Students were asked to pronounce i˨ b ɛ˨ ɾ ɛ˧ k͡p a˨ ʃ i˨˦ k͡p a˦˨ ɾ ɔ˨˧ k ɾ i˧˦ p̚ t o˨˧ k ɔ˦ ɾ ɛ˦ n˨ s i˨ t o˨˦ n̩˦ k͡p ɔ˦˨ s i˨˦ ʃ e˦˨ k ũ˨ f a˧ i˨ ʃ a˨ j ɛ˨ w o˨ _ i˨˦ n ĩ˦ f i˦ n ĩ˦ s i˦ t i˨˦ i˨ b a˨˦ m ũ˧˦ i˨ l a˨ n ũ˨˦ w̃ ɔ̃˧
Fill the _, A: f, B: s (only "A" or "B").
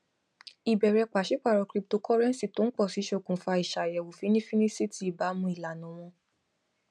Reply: A